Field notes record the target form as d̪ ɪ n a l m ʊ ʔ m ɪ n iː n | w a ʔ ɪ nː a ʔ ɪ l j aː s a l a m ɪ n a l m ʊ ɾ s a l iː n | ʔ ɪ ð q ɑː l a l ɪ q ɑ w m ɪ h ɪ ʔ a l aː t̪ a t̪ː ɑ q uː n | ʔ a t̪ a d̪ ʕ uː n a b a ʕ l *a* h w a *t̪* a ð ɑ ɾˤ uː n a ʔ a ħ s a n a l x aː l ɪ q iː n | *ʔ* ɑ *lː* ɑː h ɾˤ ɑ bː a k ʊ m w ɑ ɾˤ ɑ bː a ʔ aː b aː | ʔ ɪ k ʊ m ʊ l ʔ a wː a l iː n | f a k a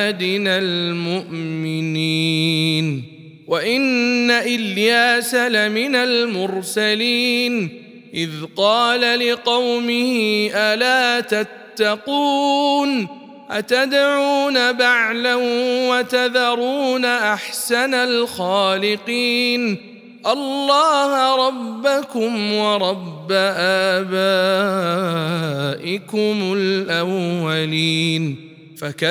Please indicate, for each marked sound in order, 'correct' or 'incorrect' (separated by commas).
correct, correct, correct, correct